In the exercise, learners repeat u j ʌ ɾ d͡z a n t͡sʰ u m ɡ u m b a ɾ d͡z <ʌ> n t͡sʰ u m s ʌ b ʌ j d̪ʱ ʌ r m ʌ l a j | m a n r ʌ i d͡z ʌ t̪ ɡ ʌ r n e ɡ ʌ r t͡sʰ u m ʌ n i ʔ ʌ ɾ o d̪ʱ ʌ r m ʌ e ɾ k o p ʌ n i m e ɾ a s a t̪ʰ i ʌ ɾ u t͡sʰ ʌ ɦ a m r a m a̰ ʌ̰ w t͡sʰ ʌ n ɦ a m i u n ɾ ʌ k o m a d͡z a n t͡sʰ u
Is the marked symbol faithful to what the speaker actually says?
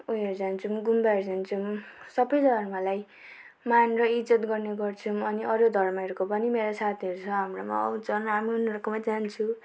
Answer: no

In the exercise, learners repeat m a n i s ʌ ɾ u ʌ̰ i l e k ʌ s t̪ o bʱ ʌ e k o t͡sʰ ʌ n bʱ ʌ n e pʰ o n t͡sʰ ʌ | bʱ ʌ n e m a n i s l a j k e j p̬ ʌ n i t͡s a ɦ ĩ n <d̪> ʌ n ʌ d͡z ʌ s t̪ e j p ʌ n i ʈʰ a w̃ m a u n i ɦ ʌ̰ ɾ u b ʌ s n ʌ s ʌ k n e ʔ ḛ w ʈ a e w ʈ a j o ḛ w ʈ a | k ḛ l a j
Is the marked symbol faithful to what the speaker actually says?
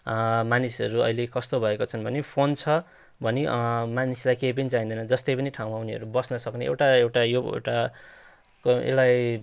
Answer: yes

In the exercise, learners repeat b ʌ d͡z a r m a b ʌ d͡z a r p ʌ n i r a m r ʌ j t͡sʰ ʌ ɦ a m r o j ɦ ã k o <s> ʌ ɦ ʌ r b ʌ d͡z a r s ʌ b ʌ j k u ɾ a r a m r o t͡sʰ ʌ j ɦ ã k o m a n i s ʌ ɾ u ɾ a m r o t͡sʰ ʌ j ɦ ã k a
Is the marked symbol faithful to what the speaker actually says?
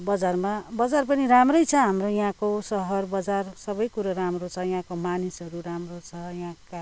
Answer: yes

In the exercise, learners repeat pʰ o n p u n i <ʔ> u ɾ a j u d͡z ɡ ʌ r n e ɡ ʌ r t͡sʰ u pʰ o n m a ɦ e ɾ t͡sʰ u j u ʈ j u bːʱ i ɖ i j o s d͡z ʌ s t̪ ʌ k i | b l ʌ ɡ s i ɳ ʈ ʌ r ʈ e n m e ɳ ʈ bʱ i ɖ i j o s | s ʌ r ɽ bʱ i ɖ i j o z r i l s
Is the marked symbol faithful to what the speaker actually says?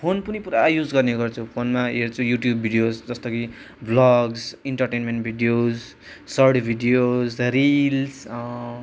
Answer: no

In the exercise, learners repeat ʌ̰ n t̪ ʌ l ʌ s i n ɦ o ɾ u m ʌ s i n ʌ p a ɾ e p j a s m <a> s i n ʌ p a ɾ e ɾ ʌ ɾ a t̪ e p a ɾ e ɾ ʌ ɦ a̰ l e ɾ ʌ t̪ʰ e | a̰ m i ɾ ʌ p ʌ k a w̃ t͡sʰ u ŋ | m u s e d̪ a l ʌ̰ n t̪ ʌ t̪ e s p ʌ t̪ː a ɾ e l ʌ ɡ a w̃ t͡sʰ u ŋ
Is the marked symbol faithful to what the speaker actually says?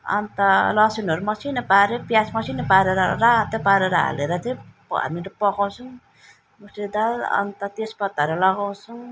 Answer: no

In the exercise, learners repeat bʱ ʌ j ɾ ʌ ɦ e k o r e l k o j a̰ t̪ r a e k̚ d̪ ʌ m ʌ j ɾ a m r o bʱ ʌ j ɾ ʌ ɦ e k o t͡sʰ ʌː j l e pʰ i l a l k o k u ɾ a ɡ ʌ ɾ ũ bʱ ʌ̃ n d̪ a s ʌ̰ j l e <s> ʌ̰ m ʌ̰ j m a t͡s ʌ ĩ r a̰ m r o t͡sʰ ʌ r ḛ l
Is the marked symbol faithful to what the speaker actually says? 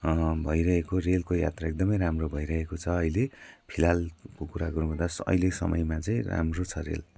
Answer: yes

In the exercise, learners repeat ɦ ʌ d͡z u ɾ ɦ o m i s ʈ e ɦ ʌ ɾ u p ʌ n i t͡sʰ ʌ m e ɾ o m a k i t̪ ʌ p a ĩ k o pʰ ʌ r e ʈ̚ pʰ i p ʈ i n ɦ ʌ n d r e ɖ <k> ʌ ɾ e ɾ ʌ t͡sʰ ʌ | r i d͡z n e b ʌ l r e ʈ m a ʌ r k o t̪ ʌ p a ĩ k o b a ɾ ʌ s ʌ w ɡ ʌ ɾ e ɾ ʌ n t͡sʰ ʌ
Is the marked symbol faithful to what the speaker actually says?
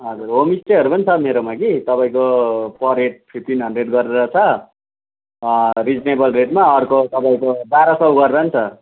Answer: no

